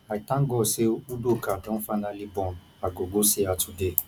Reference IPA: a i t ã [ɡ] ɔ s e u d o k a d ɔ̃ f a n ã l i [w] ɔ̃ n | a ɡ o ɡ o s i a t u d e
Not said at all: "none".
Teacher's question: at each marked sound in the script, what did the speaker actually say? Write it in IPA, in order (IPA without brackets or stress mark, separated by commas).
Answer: ɡ, b